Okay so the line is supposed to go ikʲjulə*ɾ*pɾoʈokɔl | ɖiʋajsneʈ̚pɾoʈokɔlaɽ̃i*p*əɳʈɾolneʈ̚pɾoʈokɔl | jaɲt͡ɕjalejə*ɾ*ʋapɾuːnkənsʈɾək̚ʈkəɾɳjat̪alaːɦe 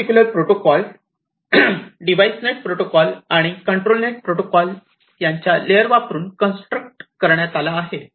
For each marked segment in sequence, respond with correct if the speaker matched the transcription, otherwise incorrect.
correct, incorrect: k, correct

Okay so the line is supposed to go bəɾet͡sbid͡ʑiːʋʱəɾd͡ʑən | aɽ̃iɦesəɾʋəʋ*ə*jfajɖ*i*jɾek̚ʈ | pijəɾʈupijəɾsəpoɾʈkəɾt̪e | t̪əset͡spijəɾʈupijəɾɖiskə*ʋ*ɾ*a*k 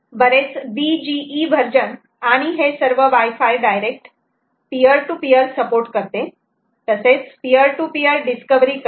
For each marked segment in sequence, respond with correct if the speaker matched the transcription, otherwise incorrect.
incorrect: a, incorrect: a, correct, incorrect: i

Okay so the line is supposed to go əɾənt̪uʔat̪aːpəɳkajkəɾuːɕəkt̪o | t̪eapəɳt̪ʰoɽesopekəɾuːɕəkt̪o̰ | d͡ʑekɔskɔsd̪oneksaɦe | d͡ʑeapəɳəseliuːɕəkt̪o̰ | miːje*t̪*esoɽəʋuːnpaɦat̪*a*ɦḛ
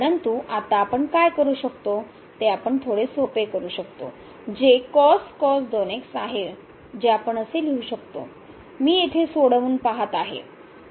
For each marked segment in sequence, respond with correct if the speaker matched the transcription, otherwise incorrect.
incorrect: t̪ʰ, correct

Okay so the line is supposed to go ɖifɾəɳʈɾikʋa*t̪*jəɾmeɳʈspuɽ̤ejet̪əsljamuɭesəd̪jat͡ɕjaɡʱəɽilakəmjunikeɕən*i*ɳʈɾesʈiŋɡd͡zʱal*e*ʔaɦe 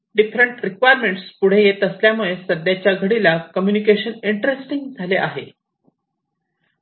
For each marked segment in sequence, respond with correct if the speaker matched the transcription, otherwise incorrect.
incorrect: none, correct, correct

